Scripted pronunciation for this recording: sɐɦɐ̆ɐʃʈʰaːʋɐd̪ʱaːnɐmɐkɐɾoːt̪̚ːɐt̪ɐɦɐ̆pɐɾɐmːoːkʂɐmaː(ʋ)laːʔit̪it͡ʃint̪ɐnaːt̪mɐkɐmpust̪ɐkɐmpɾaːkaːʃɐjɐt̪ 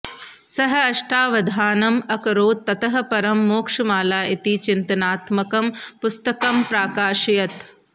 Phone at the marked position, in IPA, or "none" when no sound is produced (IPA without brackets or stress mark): none